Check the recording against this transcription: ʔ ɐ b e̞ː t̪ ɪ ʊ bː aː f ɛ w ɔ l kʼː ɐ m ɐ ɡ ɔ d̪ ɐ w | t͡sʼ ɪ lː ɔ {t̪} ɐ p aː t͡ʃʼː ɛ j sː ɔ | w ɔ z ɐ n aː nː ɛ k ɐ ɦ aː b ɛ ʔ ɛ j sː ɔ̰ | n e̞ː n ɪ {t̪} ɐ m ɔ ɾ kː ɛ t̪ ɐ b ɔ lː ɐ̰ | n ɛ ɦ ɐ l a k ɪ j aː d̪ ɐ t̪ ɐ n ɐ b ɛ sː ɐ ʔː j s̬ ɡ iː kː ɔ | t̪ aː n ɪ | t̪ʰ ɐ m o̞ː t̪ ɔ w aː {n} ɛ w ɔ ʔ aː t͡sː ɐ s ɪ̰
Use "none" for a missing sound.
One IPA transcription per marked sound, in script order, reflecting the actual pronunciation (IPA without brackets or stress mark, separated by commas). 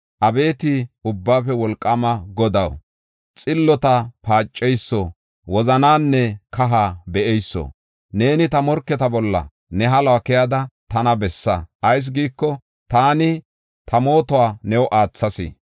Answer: t̪, t̪, n